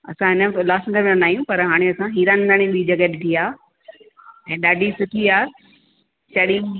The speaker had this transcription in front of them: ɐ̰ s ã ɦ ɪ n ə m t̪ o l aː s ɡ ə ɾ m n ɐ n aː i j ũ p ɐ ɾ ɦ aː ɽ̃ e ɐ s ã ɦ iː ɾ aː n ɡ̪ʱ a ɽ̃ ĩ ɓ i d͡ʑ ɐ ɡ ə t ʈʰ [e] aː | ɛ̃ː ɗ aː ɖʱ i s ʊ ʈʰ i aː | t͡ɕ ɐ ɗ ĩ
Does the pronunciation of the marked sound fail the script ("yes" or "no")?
yes